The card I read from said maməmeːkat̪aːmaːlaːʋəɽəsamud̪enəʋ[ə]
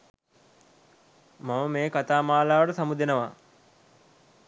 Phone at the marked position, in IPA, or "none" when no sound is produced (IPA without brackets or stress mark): a